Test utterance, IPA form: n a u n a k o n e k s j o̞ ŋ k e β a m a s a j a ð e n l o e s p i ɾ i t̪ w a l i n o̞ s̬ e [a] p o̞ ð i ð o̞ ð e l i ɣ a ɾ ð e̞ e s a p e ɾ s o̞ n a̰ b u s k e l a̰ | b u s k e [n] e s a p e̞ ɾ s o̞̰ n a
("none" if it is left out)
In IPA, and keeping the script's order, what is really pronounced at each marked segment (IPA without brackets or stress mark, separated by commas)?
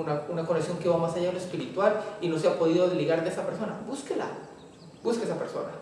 a, none